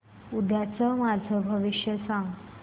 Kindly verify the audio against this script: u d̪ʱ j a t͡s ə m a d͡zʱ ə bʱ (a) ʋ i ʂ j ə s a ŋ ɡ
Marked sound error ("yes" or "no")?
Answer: yes